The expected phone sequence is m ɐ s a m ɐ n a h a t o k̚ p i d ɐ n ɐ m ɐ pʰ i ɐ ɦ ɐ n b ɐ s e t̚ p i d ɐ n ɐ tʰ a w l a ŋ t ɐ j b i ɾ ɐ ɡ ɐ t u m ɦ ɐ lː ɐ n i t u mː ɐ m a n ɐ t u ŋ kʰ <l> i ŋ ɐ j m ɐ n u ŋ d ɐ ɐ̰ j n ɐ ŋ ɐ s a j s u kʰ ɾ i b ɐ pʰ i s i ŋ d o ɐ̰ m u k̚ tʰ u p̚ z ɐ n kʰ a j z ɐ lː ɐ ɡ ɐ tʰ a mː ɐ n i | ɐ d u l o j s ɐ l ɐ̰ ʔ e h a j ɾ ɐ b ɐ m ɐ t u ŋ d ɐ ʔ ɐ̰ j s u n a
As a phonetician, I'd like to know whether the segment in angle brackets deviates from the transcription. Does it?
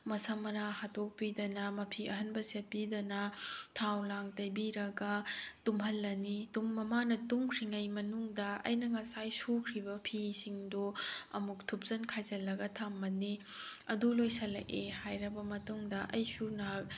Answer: yes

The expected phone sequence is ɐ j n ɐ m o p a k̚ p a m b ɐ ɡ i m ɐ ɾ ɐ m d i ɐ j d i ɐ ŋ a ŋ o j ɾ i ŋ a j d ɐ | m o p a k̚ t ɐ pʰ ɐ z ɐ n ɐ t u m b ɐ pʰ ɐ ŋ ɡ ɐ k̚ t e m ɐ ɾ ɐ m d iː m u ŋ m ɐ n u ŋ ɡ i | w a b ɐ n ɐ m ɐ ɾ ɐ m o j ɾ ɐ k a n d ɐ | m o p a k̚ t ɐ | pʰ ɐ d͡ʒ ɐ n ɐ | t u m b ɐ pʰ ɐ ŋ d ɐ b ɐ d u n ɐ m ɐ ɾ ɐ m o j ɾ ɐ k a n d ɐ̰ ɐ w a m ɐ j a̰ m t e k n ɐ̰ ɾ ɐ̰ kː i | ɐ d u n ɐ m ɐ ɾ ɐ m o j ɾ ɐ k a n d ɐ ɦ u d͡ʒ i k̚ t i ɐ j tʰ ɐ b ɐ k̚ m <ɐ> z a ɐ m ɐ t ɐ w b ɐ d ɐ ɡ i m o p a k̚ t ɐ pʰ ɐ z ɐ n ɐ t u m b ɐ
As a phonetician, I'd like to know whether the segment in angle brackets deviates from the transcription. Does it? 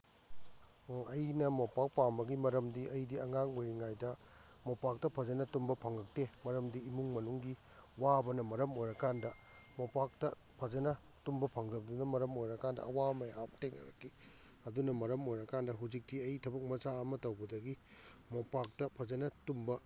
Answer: no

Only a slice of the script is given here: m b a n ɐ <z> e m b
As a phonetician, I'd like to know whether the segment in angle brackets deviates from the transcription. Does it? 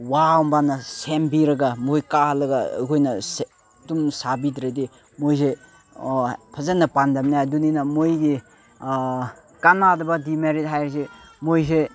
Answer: yes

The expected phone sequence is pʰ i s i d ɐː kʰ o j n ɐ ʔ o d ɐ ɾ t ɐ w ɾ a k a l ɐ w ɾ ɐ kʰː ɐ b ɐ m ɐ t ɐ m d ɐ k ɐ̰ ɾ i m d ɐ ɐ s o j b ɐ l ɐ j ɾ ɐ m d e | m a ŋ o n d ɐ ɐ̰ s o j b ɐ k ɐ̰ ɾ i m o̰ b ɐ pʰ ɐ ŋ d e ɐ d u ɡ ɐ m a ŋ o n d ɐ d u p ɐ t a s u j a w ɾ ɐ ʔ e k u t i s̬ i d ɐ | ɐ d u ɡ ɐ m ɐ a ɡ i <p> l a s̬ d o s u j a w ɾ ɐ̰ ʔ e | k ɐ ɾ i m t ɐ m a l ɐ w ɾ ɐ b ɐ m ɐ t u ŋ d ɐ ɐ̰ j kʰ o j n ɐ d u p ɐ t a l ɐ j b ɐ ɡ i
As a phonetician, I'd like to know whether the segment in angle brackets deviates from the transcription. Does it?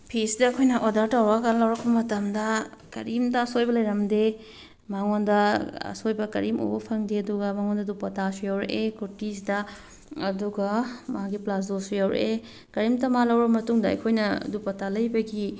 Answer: no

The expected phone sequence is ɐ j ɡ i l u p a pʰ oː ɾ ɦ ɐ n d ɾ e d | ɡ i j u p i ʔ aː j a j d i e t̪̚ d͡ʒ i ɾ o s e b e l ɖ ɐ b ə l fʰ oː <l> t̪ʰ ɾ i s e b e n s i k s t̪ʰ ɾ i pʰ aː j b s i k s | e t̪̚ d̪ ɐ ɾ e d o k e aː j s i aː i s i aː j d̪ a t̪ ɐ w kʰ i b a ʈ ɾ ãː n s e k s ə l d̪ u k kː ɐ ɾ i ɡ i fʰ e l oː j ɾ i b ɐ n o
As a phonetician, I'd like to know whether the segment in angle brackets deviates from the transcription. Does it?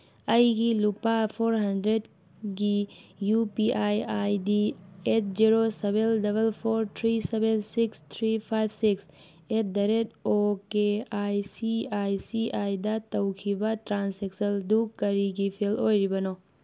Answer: yes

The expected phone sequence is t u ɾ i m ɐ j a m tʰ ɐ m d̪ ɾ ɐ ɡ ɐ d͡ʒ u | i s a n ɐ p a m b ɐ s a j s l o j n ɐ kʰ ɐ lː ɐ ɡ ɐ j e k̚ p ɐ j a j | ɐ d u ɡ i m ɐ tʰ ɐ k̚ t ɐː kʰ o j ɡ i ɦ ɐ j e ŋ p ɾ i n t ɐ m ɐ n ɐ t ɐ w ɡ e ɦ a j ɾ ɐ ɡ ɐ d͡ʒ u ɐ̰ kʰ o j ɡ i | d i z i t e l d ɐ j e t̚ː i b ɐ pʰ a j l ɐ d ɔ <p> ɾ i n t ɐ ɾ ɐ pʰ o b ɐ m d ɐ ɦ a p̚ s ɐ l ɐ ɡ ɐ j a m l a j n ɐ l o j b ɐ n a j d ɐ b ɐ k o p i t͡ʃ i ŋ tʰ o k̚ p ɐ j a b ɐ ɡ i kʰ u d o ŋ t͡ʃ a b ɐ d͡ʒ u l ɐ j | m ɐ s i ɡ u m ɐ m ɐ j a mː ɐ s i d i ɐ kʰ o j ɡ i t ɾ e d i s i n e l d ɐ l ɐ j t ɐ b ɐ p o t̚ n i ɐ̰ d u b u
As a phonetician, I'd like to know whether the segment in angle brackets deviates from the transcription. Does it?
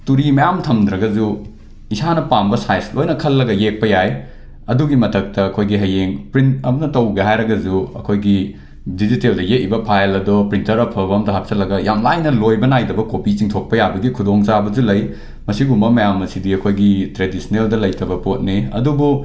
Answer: no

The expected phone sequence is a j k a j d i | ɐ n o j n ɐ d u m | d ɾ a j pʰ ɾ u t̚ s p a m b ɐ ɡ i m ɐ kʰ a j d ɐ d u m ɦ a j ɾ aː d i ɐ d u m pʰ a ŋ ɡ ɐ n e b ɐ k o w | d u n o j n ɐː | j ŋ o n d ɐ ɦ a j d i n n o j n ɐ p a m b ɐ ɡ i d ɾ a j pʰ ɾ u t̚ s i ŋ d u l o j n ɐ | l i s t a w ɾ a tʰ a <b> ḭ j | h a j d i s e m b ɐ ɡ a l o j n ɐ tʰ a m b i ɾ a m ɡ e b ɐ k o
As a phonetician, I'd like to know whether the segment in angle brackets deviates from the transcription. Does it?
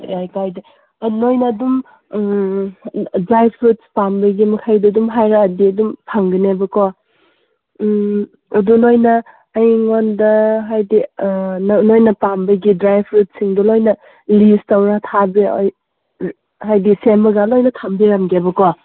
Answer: no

